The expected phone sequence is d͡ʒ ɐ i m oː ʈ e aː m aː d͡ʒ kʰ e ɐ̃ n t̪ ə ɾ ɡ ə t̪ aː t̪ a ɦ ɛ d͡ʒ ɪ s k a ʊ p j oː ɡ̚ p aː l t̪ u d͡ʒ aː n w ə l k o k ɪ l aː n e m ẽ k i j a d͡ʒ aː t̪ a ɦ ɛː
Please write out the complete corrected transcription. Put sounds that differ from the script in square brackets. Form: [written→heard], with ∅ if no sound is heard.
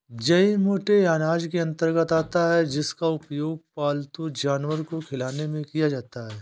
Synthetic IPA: d͡ʒ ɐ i m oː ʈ e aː [m→n] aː d͡ʒ [kʰ→k] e ɐ̃ n t̪ ə ɾ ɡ ə t̪ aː t̪ a ɦ ɛ d͡ʒ ɪ s k a ʊ p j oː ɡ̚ p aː l t̪ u d͡ʒ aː n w ə [l→ɾ] k o [k→kʰ] ɪ l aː n e m ẽ k i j a d͡ʒ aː t̪ a ɦ ɛː